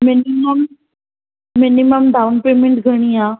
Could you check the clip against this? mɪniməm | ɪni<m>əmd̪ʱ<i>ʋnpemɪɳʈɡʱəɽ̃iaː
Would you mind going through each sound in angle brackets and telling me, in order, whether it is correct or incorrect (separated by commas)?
correct, incorrect